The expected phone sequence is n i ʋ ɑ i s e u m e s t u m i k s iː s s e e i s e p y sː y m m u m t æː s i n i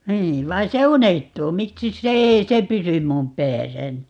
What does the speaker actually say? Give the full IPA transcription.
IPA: n iː ʋ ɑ i s e u n e h t uː m i k s i s s e e i s e p y s y m m u m p æː s æ n i